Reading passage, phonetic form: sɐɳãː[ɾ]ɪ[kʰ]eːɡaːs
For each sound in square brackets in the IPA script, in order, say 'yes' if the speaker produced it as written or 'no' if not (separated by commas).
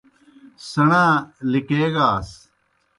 no, no